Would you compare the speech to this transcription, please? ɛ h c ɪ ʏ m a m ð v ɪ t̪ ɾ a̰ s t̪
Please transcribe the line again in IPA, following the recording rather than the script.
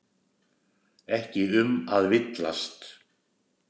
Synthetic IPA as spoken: ɛ h c ɪ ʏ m a ð v ɪ t̪ l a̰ s t̪